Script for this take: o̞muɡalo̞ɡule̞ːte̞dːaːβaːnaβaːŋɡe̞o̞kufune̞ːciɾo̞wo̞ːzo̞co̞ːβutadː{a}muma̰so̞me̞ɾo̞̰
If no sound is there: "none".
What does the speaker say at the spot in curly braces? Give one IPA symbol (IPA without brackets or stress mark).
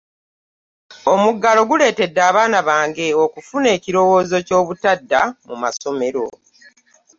a